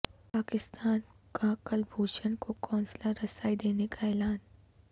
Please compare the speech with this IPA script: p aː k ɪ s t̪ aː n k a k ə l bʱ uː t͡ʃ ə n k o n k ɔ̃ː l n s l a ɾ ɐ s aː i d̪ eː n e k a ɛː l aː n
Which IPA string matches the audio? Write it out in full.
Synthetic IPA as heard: p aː k ɪ s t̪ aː n k a k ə l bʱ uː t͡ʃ ə n k o k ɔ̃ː n s l a ɾ ɐ s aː i d̪ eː n e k a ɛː l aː n